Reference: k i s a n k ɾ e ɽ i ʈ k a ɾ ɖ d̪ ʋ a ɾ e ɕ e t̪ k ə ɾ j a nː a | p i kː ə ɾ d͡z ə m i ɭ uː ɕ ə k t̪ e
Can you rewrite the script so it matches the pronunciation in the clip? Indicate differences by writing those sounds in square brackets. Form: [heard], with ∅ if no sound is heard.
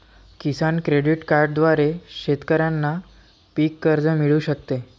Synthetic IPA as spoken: k i s a n k ɾ e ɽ i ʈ k a ɾ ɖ d̪ ʋ a ɾ e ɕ e t̪ k ə ɾ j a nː a | p i kː ə ɾ d͡z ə m i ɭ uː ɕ ə k t̪ e